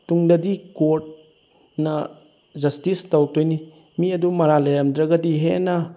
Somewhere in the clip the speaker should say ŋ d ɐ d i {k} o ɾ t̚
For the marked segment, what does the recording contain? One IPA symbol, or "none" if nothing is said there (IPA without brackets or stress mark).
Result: k